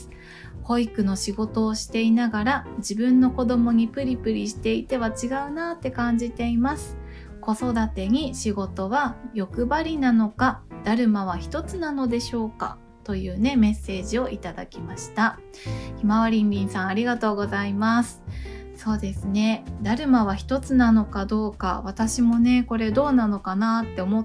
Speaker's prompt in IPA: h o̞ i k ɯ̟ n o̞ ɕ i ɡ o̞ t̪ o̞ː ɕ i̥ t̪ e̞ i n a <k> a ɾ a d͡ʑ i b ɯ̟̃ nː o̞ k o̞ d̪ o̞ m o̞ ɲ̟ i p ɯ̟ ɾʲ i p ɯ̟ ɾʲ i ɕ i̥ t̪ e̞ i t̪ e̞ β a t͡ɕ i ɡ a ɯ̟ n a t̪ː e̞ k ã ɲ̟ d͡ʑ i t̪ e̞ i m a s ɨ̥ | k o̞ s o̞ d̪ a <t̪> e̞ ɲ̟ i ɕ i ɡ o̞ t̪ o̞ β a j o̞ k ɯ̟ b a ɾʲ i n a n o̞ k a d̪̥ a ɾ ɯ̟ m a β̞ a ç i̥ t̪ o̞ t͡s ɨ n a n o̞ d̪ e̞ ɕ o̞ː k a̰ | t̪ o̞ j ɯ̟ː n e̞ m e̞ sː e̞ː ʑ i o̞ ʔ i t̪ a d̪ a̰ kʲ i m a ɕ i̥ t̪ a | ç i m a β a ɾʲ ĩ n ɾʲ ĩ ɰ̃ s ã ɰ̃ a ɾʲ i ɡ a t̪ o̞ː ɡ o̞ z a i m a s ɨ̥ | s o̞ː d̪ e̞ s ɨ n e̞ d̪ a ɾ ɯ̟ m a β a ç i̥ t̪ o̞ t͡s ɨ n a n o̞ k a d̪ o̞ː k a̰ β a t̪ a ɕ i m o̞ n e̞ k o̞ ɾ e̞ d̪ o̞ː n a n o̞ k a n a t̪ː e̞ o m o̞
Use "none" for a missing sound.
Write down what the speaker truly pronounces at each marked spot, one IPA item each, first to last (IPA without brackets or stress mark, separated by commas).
ɡ, t̪